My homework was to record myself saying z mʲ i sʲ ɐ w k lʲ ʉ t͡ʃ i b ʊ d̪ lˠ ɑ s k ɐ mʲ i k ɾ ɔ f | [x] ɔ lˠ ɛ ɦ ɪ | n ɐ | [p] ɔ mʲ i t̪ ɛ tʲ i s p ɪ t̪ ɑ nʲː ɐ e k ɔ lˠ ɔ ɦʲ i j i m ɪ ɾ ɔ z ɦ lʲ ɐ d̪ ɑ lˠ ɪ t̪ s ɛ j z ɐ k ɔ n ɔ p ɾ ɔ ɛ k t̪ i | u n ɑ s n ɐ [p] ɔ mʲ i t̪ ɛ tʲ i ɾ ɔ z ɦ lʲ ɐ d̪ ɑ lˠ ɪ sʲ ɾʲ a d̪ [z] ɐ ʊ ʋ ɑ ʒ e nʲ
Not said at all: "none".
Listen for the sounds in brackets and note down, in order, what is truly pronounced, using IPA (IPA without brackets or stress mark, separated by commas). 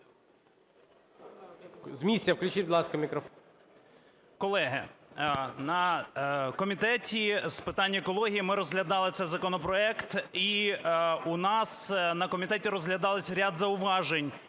k, k, k, z